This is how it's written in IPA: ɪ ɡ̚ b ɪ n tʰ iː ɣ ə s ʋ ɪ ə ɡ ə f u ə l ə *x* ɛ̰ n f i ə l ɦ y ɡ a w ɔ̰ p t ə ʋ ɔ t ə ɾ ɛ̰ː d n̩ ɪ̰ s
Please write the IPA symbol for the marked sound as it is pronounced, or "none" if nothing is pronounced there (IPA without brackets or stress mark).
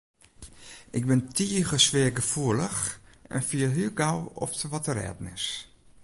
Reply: x